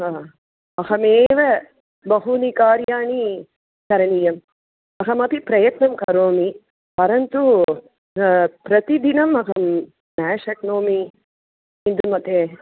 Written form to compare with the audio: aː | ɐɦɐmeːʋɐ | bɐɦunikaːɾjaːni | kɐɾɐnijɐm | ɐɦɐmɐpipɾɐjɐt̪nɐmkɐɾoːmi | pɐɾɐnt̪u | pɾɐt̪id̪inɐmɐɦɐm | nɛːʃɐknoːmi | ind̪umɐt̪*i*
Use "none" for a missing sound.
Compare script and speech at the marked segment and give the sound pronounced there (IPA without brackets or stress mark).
e